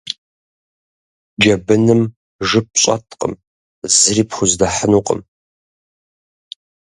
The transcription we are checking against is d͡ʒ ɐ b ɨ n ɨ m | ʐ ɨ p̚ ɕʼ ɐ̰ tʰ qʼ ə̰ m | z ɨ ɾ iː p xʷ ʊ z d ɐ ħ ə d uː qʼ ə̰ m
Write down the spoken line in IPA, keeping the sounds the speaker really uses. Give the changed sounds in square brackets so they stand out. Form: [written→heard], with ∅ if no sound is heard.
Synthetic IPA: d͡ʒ ɐ b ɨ n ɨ m | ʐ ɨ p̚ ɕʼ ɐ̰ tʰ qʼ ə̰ m | z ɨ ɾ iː p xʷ ʊ z d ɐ ħ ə [d→n] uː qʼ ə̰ m